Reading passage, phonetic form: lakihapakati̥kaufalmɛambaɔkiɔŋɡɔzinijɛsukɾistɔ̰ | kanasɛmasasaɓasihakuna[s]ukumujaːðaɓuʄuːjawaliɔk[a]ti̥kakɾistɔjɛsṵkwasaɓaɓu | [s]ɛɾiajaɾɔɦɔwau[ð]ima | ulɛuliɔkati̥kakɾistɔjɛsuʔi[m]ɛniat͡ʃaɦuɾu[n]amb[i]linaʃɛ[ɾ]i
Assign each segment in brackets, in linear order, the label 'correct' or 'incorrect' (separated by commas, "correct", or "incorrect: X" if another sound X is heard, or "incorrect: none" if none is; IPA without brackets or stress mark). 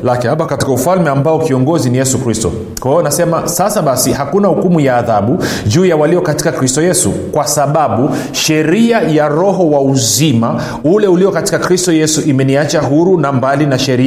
incorrect: h, correct, incorrect: ʃ, incorrect: z, correct, correct, incorrect: a, correct